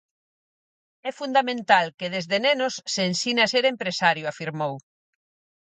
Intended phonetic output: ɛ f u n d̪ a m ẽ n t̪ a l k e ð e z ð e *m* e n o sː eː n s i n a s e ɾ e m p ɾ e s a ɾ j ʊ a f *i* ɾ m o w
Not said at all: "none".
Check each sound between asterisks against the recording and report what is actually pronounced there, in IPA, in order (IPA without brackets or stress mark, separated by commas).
n, i